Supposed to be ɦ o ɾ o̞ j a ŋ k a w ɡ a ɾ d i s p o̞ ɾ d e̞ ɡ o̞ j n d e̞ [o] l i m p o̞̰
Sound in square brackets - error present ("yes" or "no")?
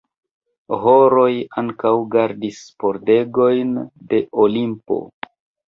no